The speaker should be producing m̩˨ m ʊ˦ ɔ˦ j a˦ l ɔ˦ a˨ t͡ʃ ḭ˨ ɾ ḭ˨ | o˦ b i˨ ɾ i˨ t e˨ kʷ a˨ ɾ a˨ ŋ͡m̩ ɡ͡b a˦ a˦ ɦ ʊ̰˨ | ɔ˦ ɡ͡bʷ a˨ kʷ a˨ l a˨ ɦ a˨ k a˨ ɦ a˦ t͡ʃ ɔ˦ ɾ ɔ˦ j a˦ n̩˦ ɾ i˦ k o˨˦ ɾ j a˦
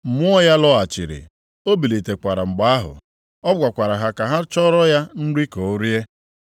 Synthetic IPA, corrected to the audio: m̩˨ m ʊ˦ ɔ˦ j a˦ l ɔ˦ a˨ t͡ʃ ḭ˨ ɾ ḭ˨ | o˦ b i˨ l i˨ t e˨ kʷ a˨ ɾ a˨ ŋ͡m̩ ɡ͡b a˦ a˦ ɦ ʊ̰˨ | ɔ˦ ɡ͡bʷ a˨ kʷ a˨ ɾ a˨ ɦ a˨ k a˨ ɦ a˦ t͡ʃ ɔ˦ ɾ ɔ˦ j a˦ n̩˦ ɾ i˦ k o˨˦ ɾ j e˦